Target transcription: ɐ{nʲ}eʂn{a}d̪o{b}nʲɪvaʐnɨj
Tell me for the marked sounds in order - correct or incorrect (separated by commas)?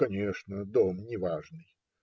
correct, incorrect, incorrect